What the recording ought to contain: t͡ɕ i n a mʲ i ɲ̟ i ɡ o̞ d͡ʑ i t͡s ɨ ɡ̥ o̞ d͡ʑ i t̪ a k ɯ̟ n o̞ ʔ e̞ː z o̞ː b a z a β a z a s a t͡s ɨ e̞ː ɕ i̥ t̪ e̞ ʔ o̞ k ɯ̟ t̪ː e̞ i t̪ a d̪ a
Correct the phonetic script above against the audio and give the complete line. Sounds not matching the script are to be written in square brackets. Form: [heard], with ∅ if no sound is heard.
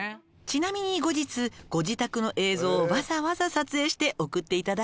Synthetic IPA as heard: t͡ɕ i n a mʲ i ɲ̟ i ɡ o̞ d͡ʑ i t͡s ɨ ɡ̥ o̞ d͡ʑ i t̪ a k ɯ̟ n o̞ ʔ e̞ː z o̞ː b a z a β a z a s a t͡s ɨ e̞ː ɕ i̥ t̪ e̞ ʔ o̞ k ɯ̟ t̪ː e̞ i t̪ a d̪ a